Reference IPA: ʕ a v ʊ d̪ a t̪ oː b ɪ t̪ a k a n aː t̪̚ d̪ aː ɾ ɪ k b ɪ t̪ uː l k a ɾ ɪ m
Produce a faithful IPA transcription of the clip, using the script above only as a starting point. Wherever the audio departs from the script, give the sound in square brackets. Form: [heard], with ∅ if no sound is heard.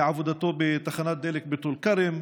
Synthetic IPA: ʕ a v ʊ d̪ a t̪ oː b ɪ t̪ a [x] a n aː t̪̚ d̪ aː [l] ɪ k b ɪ t̪ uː l k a ɾ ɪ m